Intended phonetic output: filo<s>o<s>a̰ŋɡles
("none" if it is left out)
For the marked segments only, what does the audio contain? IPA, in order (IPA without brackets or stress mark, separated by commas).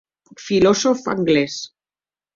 s, f